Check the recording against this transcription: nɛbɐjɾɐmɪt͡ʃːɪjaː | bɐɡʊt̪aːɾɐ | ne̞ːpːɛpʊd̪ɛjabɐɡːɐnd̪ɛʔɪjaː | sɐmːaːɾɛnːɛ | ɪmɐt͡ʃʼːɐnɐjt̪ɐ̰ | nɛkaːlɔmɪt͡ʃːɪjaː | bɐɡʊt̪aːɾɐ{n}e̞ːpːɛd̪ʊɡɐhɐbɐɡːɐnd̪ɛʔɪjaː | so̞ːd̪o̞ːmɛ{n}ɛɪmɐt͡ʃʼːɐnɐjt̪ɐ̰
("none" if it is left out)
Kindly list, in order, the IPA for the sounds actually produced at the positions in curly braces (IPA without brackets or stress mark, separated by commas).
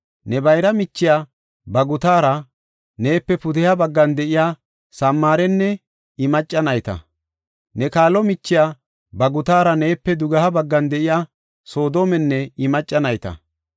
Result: n, nː